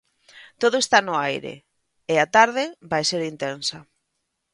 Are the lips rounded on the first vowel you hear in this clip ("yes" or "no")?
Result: yes